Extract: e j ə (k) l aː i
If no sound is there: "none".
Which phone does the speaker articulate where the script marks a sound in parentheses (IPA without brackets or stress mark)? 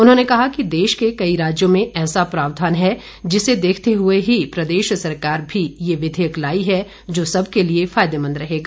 k